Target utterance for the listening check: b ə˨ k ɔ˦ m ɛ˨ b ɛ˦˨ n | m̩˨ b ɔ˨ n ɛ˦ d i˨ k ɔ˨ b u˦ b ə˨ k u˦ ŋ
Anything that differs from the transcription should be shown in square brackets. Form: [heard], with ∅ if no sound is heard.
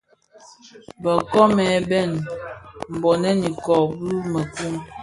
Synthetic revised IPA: b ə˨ k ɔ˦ m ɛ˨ b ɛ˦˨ n | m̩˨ b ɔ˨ n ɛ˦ [n] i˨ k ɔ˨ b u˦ [m] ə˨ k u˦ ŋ